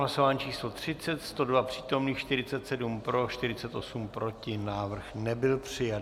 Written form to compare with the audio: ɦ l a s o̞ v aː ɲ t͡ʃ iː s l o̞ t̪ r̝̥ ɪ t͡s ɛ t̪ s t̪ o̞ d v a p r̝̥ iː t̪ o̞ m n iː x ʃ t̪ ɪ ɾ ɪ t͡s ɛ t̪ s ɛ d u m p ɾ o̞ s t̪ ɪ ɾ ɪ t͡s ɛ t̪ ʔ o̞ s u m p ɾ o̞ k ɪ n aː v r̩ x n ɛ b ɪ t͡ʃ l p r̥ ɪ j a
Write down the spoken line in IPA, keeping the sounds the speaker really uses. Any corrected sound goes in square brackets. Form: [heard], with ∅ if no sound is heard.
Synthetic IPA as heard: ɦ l a s o̞ v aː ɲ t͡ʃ iː s l o̞ t̪ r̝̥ ɪ t͡s ɛ t̪ s t̪ o̞ d v a p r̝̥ iː t̪ o̞ m n iː x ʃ t̪ ɪ ɾ ɪ t͡s ɛ t̪ s ɛ d u m p ɾ o̞ [ʃ] t̪ ɪ ɾ ɪ t͡s ɛ t̪ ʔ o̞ s u m p ɾ o̞ [c] ɪ n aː v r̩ x n ɛ b ɪ [∅] l p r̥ ɪ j a

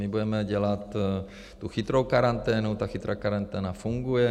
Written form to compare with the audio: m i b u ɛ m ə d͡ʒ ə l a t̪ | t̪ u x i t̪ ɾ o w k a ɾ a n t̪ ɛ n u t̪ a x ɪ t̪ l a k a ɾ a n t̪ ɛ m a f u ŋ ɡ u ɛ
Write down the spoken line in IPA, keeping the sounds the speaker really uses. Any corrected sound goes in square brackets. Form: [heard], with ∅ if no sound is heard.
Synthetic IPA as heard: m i b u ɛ m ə d͡ʒ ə l a t̪ | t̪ u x i t̪ ɾ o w k a ɾ a n t̪ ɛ n u t̪ a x [i] t̪ [ɾ] a k a ɾ a n t̪ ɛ [n] a f u ŋ ɡ u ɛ

